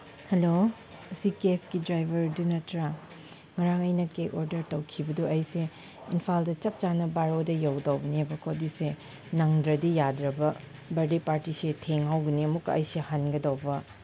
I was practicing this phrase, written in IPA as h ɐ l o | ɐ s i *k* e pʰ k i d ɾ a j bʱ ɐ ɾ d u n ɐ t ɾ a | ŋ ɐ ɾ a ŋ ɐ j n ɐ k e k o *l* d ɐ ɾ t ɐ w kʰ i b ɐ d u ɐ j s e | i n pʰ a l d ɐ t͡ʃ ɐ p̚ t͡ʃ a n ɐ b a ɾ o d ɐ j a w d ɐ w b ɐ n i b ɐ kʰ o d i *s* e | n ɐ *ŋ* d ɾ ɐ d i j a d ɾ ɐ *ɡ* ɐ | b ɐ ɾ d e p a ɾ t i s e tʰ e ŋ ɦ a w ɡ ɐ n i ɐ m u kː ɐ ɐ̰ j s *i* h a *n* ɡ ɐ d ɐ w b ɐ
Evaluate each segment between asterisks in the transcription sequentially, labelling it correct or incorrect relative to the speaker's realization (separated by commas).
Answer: correct, incorrect, correct, correct, incorrect, incorrect, correct